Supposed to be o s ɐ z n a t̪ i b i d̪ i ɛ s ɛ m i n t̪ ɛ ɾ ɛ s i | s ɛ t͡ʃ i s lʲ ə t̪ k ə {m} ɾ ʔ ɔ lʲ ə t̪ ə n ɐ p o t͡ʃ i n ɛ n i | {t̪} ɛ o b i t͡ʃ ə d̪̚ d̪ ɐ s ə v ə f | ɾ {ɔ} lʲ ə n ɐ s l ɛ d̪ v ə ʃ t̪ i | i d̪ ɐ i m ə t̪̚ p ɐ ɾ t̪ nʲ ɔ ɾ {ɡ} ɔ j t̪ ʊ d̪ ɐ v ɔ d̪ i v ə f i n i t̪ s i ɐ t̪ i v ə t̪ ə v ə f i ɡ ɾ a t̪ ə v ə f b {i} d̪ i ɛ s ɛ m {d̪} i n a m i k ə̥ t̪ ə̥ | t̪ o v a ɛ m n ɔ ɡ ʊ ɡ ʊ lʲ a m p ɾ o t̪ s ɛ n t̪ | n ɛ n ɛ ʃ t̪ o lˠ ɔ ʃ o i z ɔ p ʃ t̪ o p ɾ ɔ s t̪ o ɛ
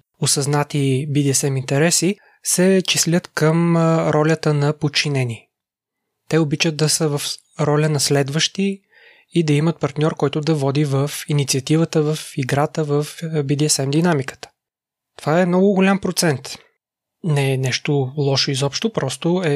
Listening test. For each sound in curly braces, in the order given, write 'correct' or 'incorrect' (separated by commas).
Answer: correct, correct, correct, incorrect, correct, correct